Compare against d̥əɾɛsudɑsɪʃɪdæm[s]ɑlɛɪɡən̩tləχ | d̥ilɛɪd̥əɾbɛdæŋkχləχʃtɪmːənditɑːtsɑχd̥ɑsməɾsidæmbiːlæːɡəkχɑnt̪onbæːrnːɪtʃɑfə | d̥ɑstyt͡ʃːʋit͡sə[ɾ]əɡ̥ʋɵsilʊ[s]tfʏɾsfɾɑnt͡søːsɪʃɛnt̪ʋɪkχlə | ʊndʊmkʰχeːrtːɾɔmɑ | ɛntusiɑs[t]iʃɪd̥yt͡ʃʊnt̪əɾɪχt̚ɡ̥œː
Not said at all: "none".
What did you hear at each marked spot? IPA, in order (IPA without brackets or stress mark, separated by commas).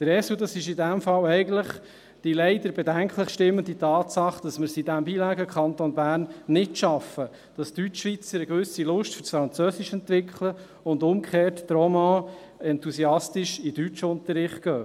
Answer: f, ɾ, ʃ, t